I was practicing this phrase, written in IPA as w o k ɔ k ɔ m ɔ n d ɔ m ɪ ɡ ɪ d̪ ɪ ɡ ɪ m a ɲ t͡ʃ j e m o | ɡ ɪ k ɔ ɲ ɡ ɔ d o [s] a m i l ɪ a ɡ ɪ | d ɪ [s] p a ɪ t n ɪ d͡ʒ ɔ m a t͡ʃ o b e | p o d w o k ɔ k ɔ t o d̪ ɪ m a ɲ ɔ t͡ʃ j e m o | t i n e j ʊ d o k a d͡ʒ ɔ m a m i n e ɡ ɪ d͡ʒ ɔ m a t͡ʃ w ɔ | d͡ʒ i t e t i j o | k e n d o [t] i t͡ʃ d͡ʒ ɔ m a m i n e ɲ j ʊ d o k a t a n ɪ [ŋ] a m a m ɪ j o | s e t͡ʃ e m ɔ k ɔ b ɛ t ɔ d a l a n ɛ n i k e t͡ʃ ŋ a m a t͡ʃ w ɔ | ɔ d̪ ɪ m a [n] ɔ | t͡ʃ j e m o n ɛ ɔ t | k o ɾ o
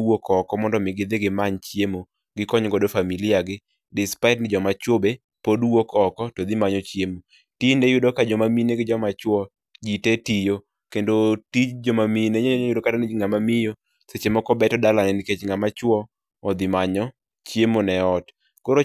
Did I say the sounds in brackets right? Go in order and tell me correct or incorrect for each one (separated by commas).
incorrect, correct, correct, correct, incorrect